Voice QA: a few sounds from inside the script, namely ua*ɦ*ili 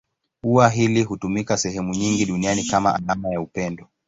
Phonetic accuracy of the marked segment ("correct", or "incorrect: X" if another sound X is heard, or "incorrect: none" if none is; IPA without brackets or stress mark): correct